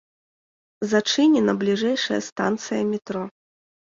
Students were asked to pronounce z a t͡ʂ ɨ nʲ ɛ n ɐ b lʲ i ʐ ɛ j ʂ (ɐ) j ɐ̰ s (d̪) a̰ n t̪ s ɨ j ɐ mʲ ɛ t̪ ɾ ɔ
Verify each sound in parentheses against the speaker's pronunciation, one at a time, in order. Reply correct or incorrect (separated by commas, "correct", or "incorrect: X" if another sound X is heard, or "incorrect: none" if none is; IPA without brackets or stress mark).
correct, incorrect: t̪